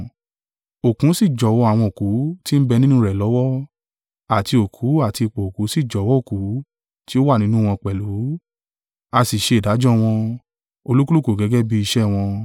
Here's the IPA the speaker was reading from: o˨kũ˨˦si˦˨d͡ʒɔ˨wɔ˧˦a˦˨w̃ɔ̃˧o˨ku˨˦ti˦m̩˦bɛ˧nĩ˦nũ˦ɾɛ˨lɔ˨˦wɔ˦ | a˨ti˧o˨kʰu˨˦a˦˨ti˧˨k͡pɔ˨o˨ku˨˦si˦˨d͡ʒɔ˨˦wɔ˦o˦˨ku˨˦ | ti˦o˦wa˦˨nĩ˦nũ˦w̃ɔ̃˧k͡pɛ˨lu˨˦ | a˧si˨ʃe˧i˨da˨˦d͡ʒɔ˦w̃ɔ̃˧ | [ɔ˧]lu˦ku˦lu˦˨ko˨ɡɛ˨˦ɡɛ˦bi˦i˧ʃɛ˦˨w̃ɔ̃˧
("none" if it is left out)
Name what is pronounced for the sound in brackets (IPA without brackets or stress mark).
o˧